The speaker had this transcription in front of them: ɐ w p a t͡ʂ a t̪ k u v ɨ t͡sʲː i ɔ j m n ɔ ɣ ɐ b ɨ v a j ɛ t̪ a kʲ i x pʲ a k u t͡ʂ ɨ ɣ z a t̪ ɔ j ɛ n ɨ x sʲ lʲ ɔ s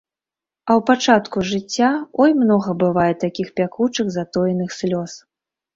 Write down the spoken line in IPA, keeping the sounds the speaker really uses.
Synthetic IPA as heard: ɐ w p a t͡ʂ a t̪ k u ʐ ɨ t͡sʲː a ɔ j m n ɔ ɣ ɐ b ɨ v a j ɛ t̪ a kʲ i x pʲ a k u t͡ʂ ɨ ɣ z a t̪ ɔ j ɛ n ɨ x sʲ lʲ ɔ s

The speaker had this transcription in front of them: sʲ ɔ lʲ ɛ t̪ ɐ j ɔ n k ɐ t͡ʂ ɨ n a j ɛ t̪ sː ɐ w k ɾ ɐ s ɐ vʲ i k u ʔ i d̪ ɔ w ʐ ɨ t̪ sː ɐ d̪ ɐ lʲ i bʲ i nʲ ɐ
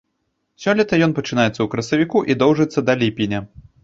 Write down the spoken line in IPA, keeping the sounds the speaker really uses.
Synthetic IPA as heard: sʲ ɔ lʲ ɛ t̪ ɐ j ɔ n p ɐ t͡ʂ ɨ n a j ɛ t̪ sː ɐ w k ɾ ɐ s ɐ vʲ i k u ʔ i d̪ ɔ w ʐ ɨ t̪ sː ɐ d̪ ɐ lʲ i pʲ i nʲ ɐ

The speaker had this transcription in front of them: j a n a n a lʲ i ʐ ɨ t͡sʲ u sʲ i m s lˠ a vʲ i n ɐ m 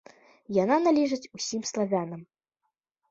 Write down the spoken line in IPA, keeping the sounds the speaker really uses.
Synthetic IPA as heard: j a n a n a lʲ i ʐ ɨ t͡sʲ u sʲ i m s lˠ a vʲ a n ɐ m

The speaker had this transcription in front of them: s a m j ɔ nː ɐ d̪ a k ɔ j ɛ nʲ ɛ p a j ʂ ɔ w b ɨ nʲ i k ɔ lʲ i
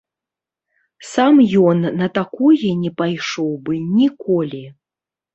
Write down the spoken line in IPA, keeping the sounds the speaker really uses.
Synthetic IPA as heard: s a m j ɔ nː ɐ t̪ a k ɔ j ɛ nʲ ɛ p a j ʂ ɔ w b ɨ nʲ i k ɔ lʲ i

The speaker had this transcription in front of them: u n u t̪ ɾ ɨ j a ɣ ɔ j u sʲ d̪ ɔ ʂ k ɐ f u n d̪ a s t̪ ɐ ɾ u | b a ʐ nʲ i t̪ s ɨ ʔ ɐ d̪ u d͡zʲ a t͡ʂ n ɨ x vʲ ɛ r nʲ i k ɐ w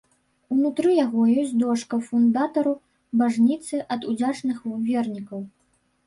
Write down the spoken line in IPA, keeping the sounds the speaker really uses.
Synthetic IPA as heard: u n u t̪ ɾ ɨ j a ɣ ɔ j ɔ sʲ d̪ ɔ ʂ k ɐ f u n d̪ a t̪ ɐ ɾ u | b a ʐ nʲ i t̪ s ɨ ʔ ɐ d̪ u d͡zʲ a t͡ʂ n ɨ x vʲ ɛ r nʲ i k ɐ w

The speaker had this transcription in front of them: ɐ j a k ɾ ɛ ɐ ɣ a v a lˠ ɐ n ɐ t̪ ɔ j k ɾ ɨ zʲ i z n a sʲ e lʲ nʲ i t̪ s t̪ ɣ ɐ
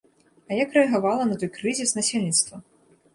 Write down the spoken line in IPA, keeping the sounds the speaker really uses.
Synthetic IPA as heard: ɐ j a k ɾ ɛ ɐ ɣ a v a lˠ ɐ n ɐ t̪ ɔ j k ɾ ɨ zʲ i s n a sʲ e lʲ nʲ i t̪ s t̪ v ɐ

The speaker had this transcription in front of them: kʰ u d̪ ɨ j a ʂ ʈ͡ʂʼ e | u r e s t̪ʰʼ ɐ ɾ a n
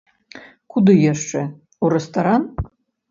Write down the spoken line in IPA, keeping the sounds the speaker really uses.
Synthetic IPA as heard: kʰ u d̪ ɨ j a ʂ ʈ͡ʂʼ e | u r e s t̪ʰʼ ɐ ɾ a n

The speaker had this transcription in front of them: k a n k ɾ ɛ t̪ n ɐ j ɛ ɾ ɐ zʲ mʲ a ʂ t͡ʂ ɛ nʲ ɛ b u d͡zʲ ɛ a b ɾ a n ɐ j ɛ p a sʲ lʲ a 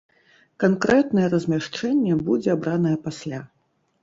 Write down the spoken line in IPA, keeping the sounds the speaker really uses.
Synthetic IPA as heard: k a n k ɾ ɛ t̪ n ɐ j ɛ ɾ ɐ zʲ mʲ a ʂ t͡ʂ ɛ nʲː ɛ b u d͡zʲ ɛ a b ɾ a n ɐ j ɛ p a sʲ lʲ a

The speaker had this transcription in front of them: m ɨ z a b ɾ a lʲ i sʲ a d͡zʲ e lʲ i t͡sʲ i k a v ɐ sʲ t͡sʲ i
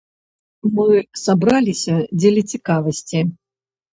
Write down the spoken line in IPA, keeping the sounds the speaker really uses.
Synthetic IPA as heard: m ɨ s a b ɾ a lʲ i sʲ ɐ d͡zʲ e lʲ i t͡sʲ i k a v ɐ sʲ t͡sʲ i

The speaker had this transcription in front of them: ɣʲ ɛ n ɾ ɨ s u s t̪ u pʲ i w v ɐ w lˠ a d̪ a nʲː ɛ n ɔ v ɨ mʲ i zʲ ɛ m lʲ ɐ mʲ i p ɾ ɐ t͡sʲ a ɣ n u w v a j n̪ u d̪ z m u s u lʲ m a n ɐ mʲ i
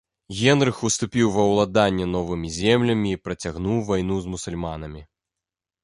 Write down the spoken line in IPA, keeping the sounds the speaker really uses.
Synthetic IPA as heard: ɣʲ ɛ n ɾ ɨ x u s t̪ u pʲ i w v ɐ w lˠ a d̪ a nʲː ɛ n ɔ v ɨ mʲ i zʲ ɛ m lʲ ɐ mʲ iː p ɾ ɐ t͡sʲ a ɣ n u w v a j n̪ u z m u s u lʲ m a n ɐ mʲ i

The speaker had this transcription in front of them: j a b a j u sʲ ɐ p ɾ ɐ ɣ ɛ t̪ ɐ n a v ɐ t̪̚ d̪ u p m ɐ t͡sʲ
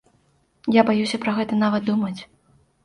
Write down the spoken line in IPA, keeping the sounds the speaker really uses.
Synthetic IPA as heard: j a b a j u sʲ ɐ p ɾ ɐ ɣ ɛ t̪ ɐ n a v ɐ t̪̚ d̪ u m ɐ t͡sʲ

